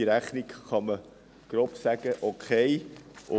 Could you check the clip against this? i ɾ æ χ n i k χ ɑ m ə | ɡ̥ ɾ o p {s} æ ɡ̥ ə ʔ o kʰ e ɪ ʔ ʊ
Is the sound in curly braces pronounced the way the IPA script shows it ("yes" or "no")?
yes